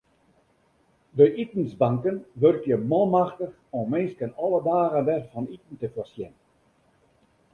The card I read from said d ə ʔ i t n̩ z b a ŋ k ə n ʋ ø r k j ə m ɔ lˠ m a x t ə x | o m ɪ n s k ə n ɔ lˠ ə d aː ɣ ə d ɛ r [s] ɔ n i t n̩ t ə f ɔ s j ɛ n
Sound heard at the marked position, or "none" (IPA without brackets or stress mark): f